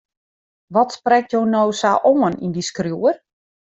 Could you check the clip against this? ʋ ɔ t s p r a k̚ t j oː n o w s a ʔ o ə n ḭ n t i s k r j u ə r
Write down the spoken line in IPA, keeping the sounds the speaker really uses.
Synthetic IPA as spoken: ʋ ɔ t s p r ɛ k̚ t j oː n o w s a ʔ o ə n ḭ n d i s k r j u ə r